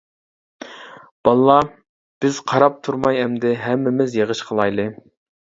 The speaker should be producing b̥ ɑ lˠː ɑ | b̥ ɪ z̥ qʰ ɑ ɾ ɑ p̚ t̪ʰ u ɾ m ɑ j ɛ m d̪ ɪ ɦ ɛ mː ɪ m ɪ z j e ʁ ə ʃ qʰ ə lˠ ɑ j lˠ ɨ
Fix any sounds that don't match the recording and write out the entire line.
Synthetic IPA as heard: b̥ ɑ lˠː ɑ | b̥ ɪ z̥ qʰ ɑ ɾ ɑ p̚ t̪ʰ u ɾ m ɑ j ɛ m d̪ ɪ ɦ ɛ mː ɪ m ɪ z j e ʁ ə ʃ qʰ ə lˠ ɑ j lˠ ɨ